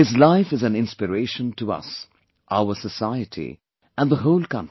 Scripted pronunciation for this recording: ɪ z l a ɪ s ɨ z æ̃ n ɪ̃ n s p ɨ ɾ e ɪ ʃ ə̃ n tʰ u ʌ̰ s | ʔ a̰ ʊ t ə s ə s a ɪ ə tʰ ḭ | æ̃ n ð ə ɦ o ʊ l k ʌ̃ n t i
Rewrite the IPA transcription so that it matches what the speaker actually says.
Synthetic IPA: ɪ z l a ɪ f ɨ z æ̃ n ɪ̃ n s p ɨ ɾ e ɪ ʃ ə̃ n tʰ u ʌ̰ s | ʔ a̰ ʊ ə s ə s a ɪ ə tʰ ḭ | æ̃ n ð ə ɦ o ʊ l k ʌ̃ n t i